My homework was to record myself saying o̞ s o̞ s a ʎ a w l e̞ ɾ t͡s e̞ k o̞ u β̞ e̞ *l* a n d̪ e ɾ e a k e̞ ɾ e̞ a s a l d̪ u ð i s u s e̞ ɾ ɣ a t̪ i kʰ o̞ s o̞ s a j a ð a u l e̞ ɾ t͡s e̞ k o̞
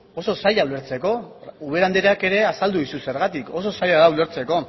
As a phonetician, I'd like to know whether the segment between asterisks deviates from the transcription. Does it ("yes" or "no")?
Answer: yes